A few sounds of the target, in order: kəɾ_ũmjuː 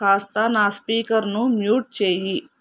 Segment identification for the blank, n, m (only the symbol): n